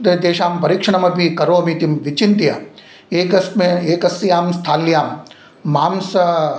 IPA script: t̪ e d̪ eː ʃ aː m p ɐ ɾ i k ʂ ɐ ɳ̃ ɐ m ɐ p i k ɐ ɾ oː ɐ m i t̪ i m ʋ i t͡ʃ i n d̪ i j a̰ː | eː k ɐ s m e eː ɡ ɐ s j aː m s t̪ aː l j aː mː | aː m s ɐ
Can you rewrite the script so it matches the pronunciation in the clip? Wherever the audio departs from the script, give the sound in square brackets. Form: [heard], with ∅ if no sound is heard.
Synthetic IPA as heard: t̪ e d̪ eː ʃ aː m p ɐ ɾ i k ʂ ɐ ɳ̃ ɐ m ɐ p i k ɐ ɾ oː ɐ m i t̪ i m ʋ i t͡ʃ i n [t̪] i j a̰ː | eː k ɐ s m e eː [k] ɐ s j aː m s [t̪ʰ] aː l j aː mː | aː m s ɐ